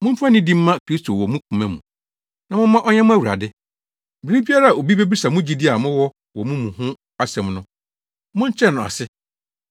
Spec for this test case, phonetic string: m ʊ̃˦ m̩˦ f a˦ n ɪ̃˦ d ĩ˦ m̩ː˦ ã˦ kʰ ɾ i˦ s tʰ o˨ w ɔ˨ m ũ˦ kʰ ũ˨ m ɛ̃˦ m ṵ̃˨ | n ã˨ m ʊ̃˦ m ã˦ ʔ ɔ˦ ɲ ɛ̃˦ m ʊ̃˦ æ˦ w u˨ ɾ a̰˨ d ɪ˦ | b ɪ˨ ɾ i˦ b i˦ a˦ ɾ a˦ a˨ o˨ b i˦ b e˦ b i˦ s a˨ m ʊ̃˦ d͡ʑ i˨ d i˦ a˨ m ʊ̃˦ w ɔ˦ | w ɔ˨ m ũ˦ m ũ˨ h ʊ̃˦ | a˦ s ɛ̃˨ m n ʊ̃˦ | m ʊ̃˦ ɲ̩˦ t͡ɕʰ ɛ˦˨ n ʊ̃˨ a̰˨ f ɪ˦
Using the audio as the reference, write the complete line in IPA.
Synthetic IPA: m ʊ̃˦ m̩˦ f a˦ n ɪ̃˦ d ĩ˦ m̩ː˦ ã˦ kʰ ɾ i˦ s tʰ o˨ w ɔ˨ m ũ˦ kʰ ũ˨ m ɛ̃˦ m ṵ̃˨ | n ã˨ m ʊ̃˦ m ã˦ ʔ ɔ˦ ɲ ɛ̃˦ m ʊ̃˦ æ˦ w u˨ ɾ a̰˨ d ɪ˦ | b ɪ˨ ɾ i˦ b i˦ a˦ ɾ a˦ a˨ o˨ b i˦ b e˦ b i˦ s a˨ m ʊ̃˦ d͡ʑ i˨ d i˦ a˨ m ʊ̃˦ w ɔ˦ | w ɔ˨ m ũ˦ m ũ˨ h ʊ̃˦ | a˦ s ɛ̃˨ m n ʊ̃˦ | m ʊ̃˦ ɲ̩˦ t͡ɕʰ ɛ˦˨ n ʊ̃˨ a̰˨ s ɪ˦